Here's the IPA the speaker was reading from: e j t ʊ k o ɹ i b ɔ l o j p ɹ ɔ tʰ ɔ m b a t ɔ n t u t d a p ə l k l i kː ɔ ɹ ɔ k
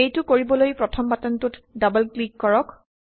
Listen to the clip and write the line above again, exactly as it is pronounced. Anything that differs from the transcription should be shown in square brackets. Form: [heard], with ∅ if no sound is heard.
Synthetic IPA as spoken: e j t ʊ k o ɹ i b ɔ l o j p ɹ ɔ tʰ ɔ m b a t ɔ n t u t d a [b] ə l k l i kː ɔ ɹ ɔ k